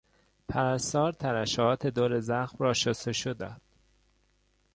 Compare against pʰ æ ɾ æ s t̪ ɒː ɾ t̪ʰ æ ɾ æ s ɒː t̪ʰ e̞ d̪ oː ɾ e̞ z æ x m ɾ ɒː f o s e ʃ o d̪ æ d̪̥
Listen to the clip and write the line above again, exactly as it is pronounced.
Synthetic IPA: pʰ æ ɾ æ s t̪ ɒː ɾ t̪ʰ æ ɾ æ ʃ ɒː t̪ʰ e̞ d̪ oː ɾ e̞ z æ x m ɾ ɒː ʃ o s e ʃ o d̪ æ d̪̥